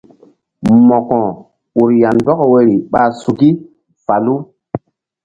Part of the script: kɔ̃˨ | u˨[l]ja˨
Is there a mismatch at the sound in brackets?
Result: yes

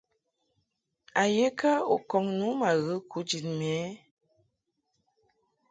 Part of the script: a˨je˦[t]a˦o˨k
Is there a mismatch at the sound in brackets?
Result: yes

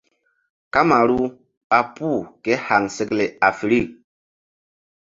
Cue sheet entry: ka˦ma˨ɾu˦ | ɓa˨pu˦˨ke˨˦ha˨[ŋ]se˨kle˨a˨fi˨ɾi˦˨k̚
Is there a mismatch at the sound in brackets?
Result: no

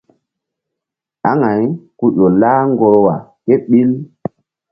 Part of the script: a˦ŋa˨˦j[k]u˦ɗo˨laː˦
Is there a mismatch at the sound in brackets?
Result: no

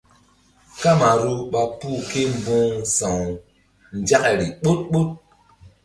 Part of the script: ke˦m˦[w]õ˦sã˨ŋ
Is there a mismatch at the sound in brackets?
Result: yes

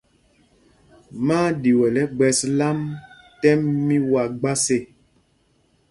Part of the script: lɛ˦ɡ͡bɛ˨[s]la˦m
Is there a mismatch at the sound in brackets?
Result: no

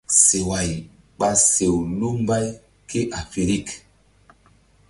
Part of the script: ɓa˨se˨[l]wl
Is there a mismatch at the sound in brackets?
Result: yes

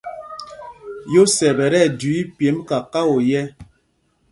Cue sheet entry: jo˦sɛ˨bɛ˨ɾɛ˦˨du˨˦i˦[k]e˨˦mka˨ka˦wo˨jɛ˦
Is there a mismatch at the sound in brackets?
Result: yes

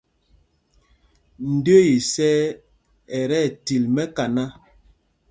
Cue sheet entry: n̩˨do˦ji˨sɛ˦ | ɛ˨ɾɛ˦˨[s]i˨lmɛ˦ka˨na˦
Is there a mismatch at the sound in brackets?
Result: yes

